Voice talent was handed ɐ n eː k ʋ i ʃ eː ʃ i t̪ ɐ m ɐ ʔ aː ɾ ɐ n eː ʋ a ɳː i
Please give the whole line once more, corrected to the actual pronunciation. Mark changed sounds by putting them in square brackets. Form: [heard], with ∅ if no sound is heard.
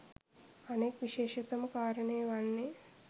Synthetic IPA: ɐ n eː k ʋ i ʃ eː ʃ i t̪ ɐ m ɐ [k] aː ɾ ɐ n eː ʋ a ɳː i